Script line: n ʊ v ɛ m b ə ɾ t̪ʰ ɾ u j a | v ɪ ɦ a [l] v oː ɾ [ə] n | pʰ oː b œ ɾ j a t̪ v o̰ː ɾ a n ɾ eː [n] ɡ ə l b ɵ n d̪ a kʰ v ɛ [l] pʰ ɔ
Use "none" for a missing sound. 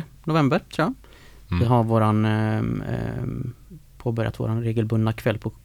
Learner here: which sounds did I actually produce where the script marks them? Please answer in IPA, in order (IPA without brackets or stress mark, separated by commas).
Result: ɾ, a, none, lː